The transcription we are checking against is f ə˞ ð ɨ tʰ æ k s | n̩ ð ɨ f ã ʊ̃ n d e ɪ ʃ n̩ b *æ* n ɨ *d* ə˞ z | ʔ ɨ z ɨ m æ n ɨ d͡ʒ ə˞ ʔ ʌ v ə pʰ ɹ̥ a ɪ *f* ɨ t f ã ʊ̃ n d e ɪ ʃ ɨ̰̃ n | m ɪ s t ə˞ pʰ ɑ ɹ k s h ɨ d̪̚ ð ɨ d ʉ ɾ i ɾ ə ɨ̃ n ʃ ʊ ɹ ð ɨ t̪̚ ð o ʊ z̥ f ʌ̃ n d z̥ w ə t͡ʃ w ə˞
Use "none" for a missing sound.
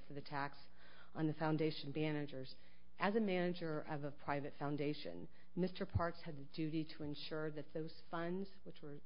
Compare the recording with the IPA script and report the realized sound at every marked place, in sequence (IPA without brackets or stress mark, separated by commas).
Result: æ, d͡ʒ, v